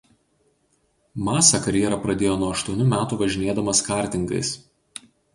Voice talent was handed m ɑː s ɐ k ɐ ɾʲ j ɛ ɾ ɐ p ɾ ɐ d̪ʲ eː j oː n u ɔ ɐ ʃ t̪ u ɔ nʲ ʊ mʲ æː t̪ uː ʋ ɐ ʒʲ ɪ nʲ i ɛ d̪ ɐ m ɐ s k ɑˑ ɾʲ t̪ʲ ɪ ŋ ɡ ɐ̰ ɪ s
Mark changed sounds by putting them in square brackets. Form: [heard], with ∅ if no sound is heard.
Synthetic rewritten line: m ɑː s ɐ k ɐ ɾʲ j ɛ ɾ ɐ p ɾ ɐ d̪ʲ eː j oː n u ɔ ɐ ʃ t̪ u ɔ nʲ ʊ mʲ æː t̪ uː ʋ ɐ ʒʲ ɪ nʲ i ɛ d̪ ɐ m ɐ s k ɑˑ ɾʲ t̪ʲ ɪ ŋ ɡ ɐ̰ ɪ s